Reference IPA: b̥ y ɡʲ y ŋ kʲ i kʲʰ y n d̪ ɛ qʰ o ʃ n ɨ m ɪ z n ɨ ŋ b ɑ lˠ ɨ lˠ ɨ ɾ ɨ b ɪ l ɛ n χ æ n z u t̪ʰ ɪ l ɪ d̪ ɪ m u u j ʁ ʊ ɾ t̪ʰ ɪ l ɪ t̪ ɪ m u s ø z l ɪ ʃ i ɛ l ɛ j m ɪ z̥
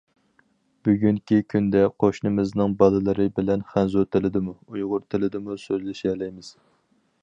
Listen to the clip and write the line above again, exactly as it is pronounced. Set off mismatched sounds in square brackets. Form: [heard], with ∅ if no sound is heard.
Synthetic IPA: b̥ y ɡʲ y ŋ kʲ i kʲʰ y n d̪ ɛ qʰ o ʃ n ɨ m ɪ z n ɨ ŋ b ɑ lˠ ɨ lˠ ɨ ɾ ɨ b ɪ l ɛ n χ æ n z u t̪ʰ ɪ l ɪ d̪ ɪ m u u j ʁ ʊ ɾ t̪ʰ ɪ l ɪ [d̪] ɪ m u s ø z l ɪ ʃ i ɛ l ɛ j m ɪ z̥